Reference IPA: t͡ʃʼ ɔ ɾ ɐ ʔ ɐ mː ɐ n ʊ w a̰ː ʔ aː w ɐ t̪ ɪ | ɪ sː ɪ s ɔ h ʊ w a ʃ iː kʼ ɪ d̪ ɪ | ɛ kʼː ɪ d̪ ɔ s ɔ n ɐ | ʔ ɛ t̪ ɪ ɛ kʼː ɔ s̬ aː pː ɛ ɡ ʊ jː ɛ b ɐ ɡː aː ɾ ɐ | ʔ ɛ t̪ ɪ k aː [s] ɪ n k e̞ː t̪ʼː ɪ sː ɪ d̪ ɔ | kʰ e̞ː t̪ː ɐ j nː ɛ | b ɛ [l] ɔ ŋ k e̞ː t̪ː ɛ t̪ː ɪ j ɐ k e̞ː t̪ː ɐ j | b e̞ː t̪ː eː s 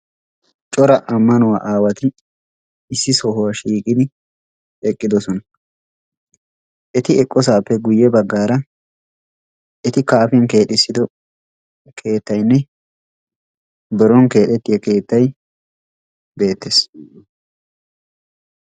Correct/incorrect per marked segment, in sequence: incorrect: f, incorrect: ɾ

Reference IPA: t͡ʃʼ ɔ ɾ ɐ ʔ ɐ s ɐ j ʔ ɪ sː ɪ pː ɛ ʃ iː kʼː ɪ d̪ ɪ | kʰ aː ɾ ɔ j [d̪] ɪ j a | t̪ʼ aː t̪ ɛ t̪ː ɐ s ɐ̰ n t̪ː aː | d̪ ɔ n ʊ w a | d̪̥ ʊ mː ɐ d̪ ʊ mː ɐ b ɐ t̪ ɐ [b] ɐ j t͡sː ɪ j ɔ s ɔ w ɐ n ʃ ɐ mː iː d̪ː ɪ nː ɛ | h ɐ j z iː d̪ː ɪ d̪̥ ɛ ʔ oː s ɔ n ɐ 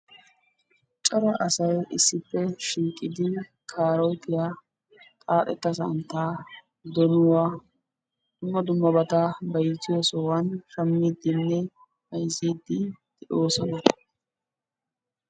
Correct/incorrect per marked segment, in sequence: incorrect: t̪, correct

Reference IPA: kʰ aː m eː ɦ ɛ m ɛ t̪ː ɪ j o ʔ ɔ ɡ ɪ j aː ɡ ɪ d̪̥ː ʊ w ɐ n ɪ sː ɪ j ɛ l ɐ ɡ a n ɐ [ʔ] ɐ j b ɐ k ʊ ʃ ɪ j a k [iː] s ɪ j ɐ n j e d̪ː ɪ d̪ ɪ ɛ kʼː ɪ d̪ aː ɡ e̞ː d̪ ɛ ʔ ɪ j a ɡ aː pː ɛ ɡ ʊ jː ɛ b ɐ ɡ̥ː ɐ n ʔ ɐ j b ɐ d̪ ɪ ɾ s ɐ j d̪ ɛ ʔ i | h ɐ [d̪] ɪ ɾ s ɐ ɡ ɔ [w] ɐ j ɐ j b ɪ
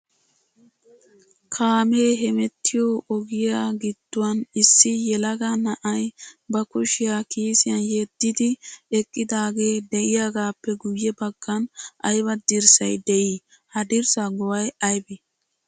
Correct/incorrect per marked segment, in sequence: correct, correct, correct, correct

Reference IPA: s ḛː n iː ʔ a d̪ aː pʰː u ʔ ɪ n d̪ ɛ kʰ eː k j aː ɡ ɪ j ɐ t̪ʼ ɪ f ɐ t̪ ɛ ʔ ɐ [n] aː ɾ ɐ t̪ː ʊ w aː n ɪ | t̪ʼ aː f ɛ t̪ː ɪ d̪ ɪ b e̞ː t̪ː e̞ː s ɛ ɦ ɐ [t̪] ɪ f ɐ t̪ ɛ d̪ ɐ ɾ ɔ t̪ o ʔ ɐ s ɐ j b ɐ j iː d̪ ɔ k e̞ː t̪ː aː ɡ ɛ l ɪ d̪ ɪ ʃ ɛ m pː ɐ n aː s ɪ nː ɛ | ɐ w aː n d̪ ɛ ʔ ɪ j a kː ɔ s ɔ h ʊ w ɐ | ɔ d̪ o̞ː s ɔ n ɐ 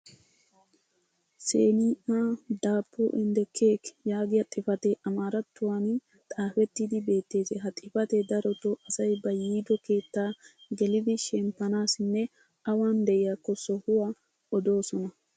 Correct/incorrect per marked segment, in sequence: incorrect: m, incorrect: t̪ʼ

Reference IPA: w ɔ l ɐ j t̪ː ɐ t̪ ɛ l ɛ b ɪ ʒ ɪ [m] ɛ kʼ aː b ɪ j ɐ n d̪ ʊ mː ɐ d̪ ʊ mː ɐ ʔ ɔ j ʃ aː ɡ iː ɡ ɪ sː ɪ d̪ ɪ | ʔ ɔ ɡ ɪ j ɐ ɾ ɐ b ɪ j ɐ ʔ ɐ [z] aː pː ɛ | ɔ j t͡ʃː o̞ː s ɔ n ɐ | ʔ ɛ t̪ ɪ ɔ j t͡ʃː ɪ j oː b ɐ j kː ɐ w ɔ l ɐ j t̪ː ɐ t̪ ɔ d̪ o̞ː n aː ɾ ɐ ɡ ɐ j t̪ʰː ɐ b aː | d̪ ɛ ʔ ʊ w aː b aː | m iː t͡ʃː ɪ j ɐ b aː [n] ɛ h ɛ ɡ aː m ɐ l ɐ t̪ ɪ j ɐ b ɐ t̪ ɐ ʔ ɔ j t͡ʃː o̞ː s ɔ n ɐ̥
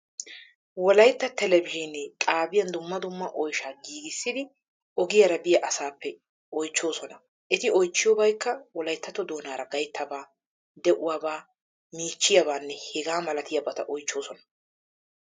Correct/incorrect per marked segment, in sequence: incorrect: n, incorrect: s, incorrect: nː

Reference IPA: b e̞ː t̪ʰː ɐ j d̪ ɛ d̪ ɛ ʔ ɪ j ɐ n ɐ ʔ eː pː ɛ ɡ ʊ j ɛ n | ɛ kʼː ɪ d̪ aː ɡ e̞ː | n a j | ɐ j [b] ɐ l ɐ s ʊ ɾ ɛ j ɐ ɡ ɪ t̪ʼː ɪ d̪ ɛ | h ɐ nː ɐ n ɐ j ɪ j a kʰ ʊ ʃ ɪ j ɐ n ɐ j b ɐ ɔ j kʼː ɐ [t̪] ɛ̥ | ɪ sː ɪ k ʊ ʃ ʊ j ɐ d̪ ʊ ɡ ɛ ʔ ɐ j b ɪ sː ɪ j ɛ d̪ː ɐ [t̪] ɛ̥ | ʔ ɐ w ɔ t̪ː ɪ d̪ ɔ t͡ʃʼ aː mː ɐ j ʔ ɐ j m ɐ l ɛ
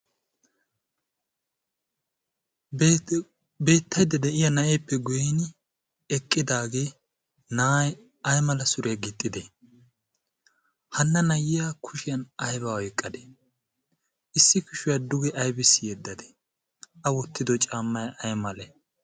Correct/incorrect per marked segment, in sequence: incorrect: m, incorrect: d̪, incorrect: d̪

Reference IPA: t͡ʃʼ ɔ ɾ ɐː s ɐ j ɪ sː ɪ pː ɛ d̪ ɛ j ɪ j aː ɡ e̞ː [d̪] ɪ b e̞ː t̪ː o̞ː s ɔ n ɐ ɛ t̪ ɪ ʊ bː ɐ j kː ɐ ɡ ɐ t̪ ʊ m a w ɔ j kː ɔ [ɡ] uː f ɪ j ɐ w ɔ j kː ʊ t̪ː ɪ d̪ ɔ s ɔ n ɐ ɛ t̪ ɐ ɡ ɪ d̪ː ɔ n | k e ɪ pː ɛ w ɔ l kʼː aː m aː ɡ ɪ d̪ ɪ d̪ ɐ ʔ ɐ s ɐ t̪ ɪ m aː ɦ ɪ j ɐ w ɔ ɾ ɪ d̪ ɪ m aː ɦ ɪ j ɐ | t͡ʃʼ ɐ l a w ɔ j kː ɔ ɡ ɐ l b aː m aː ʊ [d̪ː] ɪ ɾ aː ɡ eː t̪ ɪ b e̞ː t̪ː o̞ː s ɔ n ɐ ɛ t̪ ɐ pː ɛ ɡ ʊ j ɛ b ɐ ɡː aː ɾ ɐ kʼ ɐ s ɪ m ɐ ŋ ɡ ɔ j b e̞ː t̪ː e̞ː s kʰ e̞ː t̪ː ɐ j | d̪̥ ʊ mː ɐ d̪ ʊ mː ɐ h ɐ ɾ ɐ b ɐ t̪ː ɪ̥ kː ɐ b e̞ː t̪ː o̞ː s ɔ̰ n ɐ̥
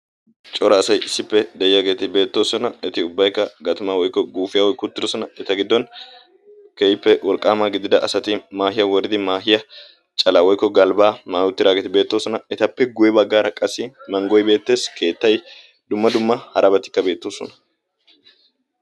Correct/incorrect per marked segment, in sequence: incorrect: t̪, correct, incorrect: t̪ː

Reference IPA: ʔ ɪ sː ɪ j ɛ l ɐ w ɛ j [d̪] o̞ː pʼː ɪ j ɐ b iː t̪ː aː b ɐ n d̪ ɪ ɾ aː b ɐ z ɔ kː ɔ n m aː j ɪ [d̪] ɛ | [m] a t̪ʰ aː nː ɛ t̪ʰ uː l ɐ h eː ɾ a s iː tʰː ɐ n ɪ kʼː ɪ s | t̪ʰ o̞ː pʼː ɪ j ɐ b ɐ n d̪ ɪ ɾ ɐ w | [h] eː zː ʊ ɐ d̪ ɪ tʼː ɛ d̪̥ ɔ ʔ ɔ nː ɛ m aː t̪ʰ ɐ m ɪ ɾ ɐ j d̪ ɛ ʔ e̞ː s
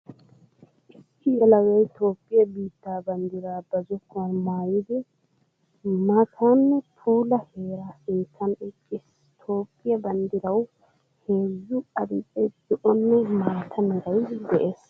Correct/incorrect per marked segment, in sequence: incorrect: t̪, correct, correct, correct

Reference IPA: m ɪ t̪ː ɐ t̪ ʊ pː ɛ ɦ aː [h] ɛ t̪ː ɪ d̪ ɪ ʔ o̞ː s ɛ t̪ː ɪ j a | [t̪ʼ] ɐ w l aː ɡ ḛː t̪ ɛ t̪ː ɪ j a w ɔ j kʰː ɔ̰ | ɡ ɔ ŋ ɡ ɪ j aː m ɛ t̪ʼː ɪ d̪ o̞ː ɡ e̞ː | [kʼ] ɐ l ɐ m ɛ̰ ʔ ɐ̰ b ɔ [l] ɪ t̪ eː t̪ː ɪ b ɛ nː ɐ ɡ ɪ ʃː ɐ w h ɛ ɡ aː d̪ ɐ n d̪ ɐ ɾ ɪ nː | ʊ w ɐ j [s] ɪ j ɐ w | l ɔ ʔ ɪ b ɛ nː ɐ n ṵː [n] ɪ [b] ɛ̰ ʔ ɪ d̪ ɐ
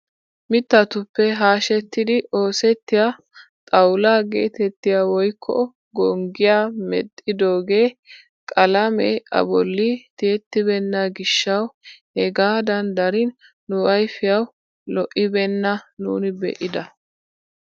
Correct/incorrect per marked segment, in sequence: incorrect: ʃ, correct, correct, incorrect: lː, incorrect: f, correct, correct

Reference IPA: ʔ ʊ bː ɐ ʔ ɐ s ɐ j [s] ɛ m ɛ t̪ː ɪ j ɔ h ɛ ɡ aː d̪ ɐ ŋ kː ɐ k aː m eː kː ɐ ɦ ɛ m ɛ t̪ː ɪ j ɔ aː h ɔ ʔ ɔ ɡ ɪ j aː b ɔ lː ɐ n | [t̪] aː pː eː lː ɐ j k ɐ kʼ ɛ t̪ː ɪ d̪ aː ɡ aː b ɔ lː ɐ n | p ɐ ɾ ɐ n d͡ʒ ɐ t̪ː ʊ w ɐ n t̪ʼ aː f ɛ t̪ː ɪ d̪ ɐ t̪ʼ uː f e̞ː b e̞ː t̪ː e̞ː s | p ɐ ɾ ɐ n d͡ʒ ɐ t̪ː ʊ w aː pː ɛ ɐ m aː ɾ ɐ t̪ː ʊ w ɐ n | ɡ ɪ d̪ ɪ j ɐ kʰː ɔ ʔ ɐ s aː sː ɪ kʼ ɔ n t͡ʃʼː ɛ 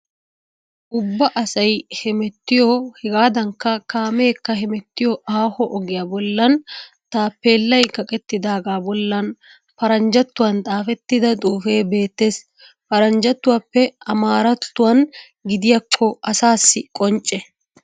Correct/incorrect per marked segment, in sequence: incorrect: h, correct

